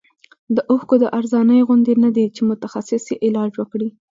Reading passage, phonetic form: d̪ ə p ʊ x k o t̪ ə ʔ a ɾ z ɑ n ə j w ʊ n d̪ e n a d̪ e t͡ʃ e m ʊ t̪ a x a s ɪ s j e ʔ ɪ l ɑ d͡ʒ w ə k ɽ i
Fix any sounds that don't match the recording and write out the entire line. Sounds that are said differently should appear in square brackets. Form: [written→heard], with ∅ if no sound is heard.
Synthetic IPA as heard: d̪ ə [p→ʔ] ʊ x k o [t̪→d̪] ə ʔ a ɾ z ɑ n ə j [w→ɣ] ʊ n d̪ e n a d̪ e t͡ʃ e m ʊ t̪ a x a s ɪ s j e ʔ ɪ l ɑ d͡ʒ w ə k ɽ i